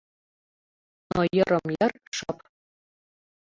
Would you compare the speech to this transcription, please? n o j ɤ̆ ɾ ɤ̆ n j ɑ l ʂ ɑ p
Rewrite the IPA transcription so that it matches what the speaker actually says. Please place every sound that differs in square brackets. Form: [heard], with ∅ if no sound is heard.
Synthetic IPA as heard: n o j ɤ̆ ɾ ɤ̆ [m] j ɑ [r] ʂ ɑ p